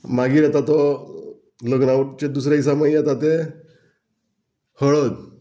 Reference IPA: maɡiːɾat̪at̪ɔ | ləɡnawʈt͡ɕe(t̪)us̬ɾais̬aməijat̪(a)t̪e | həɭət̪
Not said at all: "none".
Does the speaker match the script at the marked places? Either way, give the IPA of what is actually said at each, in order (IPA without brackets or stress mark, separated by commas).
d̪, a